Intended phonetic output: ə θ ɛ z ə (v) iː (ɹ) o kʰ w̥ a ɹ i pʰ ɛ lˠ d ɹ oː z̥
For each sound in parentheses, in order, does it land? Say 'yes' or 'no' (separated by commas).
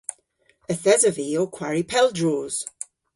yes, no